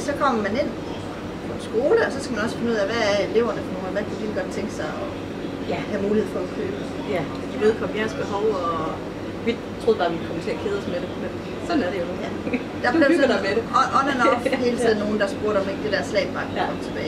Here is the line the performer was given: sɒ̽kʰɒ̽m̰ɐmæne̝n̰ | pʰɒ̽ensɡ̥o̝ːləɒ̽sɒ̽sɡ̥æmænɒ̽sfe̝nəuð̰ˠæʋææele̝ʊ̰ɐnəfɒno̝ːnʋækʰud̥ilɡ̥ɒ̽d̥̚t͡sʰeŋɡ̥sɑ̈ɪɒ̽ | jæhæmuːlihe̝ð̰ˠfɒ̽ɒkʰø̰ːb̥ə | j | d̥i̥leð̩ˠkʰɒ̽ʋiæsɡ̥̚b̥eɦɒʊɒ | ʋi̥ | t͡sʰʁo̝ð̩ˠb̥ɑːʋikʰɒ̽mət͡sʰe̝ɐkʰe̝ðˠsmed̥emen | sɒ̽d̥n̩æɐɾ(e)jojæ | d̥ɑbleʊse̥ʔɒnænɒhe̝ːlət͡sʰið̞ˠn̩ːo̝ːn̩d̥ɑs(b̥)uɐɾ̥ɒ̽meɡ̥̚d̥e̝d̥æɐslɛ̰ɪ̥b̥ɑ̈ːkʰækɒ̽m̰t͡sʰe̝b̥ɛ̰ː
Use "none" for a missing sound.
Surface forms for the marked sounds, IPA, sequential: e, b̥

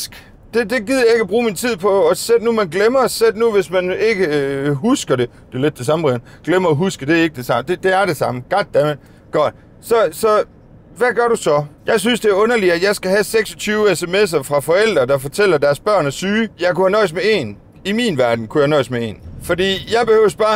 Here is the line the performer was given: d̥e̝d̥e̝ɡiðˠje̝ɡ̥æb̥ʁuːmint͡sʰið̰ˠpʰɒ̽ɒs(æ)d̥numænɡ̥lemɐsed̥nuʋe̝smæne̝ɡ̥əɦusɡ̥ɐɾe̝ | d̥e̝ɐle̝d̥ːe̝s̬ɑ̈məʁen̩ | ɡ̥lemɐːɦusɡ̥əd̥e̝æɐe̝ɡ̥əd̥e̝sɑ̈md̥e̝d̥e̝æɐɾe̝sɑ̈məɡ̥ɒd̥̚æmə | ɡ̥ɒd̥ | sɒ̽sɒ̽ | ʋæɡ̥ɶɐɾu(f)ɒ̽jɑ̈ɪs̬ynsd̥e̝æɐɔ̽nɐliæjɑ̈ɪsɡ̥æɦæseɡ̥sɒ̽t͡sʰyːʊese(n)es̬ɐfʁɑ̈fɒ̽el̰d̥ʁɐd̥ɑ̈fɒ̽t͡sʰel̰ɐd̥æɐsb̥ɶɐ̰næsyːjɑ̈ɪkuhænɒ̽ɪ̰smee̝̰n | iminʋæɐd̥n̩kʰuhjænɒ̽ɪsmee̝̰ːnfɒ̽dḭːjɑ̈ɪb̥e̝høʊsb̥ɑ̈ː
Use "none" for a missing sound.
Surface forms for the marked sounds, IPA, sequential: e, s, m

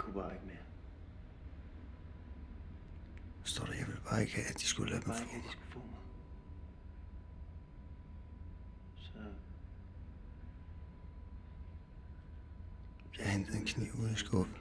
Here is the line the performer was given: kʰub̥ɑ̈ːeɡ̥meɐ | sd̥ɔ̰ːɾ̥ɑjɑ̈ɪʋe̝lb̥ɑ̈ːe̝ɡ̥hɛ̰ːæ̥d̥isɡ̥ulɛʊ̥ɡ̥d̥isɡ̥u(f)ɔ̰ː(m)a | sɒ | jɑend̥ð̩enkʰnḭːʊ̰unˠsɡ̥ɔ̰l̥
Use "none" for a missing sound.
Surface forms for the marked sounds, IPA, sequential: f, m

